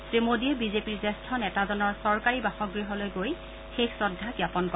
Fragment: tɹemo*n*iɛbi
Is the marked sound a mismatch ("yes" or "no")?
yes